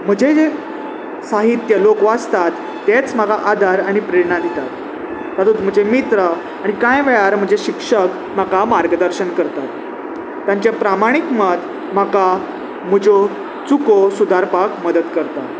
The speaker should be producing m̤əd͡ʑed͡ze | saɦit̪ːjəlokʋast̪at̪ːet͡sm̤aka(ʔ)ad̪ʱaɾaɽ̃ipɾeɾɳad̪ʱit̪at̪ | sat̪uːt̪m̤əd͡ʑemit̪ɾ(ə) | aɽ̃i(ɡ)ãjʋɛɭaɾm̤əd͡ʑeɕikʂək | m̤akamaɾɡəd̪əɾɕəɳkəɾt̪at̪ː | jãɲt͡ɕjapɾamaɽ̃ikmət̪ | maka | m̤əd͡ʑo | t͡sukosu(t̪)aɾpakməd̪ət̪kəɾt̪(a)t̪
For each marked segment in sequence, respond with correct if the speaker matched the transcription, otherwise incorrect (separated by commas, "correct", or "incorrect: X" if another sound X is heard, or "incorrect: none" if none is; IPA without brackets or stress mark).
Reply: correct, correct, incorrect: k, incorrect: d̪, correct